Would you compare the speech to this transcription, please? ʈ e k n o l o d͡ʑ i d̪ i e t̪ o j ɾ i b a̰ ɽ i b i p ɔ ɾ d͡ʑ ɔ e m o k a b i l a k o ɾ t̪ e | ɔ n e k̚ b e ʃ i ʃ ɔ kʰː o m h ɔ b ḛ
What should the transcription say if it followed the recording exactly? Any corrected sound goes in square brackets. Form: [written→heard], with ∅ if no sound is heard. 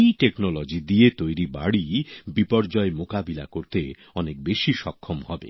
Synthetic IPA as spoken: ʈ e k n o l o d͡ʑ i d̪ i e t̪ o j ɾ i b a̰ ɽ i b i p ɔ ɾ d͡ʑ ɔ e m o k a b i l a k o ɾ t̪ e | ɔ n e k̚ b e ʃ i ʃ ɔ kʰː o m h ɔ b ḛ

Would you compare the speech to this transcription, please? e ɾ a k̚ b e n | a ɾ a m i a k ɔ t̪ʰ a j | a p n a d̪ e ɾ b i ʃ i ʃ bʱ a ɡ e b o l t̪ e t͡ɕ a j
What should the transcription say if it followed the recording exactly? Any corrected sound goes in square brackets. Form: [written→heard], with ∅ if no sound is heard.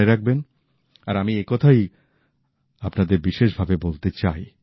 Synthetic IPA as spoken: e ɾ a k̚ b e n | a ɾ a m i [a→e] k ɔ t̪ʰ a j | a p n a d̪ e ɾ b i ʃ [i→e] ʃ bʱ a [ɡ→b] e b o l t̪ e t͡ɕ a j

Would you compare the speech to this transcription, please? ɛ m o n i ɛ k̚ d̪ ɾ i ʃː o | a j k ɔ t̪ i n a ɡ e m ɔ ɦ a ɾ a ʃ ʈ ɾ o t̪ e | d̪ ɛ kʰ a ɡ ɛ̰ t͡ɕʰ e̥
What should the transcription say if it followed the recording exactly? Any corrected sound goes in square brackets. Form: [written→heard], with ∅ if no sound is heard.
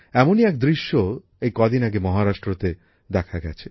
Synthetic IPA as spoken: ɛ m o n i ɛ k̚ d̪ ɾ i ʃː o | [a→e] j k ɔ [t̪→d̪] i n a ɡ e m ɔ ɦ a ɾ a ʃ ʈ ɾ o t̪ e | d̪ ɛ kʰ a ɡ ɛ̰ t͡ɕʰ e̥

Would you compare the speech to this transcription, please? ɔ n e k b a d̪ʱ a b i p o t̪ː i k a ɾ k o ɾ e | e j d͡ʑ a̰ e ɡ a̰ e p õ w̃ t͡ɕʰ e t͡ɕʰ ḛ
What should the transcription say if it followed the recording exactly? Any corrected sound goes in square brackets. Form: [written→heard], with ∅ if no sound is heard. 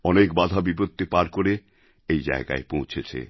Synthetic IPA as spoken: ɔ n e k b a d̪ʱ a b i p o t̪ː i [k→p] a ɾ k o ɾ e | e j d͡ʑ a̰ e ɡ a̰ e p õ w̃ t͡ɕʰ e t͡ɕʰ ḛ

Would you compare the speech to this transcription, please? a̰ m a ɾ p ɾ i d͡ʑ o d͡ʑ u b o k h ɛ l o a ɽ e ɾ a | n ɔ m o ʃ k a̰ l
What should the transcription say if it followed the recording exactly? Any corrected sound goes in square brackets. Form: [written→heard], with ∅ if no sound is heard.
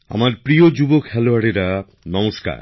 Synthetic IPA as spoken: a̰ m a ɾ p ɾ i [d͡ʑ→∅] o d͡ʑ u b o k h ɛ l o a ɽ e ɾ a | n ɔ m o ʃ k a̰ [l→ɾ]

